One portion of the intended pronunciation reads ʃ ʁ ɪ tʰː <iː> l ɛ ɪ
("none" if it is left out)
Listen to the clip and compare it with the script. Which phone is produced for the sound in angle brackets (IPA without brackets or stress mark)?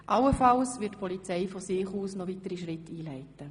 iː